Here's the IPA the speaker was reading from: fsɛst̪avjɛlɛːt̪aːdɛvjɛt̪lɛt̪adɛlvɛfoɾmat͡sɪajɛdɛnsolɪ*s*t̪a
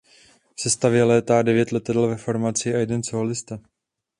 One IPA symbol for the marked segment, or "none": s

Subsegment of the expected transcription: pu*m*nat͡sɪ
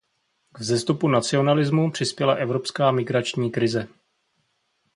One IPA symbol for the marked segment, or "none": none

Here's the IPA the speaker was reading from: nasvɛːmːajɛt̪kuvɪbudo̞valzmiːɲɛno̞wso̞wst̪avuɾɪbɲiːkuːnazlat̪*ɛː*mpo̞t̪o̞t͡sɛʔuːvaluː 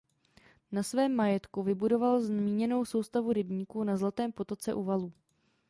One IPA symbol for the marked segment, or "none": ɛː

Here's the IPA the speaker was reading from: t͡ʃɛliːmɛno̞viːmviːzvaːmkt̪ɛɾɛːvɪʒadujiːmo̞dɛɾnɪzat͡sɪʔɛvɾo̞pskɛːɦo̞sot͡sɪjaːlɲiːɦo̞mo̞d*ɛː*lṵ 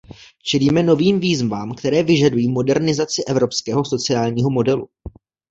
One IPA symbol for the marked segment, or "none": ɛ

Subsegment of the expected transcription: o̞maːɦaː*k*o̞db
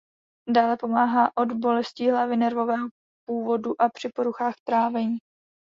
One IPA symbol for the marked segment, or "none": ʔ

